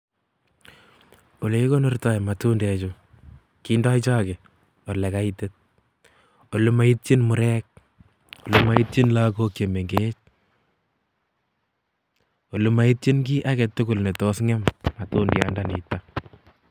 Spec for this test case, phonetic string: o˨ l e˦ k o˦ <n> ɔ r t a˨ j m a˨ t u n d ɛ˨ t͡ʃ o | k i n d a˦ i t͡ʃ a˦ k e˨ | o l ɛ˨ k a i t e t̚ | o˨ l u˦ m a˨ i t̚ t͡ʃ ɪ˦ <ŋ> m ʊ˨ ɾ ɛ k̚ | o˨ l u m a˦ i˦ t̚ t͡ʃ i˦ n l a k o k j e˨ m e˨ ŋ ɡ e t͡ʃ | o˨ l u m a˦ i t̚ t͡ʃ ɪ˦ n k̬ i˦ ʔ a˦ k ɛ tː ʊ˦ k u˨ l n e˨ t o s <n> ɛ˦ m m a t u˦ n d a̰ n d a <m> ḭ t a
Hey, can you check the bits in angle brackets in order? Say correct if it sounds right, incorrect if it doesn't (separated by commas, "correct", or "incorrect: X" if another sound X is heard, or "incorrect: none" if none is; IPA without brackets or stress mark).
correct, incorrect: n, incorrect: ŋ, incorrect: n